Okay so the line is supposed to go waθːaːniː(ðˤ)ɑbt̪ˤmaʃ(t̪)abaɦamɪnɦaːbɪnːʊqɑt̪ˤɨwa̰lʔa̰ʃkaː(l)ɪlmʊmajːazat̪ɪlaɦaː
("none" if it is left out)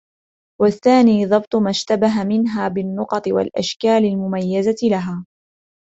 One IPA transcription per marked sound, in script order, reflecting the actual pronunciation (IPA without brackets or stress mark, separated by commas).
ðˤ, t̪, l